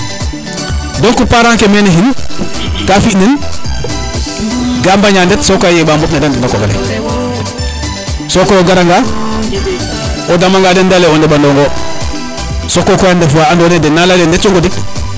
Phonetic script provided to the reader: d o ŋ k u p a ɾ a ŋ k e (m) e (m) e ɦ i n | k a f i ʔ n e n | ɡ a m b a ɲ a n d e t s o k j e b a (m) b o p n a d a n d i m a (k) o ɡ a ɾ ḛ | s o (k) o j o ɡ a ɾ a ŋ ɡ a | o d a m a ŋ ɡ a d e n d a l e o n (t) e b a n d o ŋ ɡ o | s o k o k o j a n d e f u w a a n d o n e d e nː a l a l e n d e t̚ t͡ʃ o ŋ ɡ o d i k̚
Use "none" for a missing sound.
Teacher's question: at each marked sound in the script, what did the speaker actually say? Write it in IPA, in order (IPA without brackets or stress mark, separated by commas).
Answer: m, n, m, k, k, d